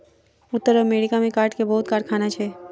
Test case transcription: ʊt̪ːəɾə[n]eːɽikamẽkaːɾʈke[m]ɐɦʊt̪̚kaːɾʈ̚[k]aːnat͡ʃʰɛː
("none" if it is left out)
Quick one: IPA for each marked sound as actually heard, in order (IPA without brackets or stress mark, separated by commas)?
m, b, kʰ